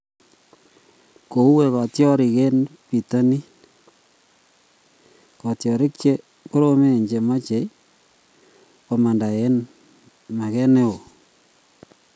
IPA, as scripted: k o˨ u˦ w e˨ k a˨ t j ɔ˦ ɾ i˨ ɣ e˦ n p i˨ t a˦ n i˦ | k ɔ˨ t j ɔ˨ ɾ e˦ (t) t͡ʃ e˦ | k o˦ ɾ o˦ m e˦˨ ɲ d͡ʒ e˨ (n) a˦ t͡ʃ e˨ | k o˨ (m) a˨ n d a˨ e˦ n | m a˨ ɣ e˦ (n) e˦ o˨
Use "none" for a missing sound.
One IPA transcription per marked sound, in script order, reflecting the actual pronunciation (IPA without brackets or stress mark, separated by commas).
k, m, m, n